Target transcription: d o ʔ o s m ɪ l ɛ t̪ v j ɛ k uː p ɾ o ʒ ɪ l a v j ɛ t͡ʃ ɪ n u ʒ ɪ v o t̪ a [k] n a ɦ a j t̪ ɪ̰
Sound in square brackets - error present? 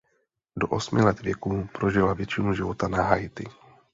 yes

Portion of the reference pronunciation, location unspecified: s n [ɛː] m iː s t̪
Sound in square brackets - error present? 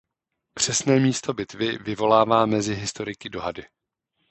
no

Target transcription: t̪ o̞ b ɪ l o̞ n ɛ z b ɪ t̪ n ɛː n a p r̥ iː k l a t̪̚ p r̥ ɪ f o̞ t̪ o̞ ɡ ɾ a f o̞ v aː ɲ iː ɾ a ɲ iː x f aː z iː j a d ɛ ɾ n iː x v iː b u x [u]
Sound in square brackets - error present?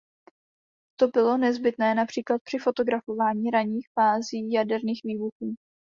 yes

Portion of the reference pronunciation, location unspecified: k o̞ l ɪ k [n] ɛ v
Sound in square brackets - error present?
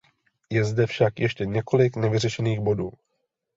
no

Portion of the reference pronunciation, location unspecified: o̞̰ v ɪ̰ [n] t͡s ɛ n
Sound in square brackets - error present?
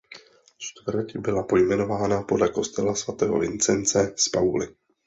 no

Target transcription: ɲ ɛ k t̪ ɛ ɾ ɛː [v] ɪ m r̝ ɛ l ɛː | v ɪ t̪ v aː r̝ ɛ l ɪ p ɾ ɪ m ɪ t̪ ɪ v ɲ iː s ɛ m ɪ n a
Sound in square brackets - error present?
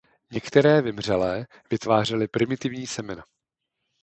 no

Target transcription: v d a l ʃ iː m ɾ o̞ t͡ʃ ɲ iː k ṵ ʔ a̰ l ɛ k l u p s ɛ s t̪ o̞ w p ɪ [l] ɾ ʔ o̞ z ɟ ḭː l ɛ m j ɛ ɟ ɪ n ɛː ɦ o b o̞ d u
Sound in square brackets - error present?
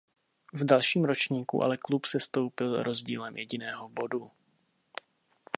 no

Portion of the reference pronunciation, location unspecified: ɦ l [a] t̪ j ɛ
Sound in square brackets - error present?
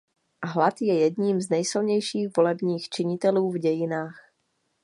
no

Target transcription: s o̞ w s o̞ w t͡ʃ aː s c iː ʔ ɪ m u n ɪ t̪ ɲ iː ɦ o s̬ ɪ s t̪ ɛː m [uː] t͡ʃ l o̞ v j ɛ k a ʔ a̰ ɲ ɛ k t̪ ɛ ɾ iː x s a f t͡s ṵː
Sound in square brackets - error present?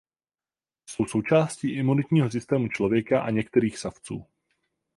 yes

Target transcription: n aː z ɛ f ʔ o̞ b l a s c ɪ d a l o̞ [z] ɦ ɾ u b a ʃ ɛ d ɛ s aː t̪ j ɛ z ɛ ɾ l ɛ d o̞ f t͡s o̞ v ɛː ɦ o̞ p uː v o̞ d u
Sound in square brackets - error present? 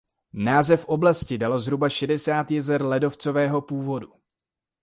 no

